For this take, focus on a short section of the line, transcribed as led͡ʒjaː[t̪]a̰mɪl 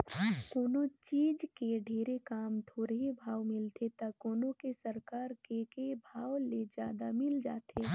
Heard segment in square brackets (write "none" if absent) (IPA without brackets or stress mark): d̪